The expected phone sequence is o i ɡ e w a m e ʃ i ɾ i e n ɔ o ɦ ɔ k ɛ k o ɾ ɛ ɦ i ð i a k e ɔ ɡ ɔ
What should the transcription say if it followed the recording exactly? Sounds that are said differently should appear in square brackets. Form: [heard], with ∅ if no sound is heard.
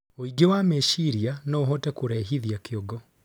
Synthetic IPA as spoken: o i ɡ e w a m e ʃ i ɾ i [a] n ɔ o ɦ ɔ [t] ɛ k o ɾ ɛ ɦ i ð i a k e ɔ ɡ ɔ